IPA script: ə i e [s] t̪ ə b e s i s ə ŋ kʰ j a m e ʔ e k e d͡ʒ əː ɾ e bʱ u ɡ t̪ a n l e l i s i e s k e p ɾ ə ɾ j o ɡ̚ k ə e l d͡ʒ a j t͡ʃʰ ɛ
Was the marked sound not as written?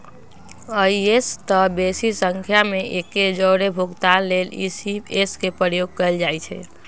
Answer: no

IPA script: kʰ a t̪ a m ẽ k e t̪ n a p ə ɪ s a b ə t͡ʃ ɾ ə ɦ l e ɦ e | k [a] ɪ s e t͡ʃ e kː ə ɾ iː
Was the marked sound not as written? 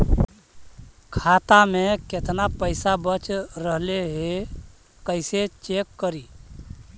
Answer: yes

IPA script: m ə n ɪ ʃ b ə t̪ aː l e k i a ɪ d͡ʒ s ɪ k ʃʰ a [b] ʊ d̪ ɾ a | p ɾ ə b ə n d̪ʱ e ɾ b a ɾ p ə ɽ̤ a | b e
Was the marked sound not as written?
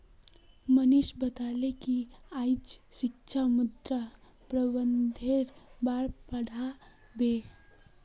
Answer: yes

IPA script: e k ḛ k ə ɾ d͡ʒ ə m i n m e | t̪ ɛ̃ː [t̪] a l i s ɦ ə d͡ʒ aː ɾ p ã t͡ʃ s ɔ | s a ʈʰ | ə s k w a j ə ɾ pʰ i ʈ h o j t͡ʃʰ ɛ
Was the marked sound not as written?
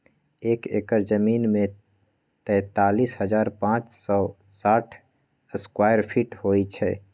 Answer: no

